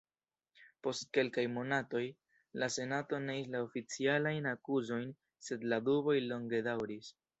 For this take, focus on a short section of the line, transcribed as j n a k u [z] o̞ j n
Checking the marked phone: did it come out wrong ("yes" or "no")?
no